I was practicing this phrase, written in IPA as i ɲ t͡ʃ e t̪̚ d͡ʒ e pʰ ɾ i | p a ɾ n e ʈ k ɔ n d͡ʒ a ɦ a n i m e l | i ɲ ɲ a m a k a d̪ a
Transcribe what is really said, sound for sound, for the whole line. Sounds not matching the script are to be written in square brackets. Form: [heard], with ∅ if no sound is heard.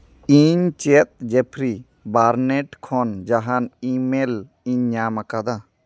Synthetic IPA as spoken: i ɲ t͡ʃ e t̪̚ d͡ʒ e pʰ ɾ i | [b] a ɾ n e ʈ [kʰ] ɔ n d͡ʒ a ɦ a n i m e l | i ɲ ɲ a m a k a d̪ a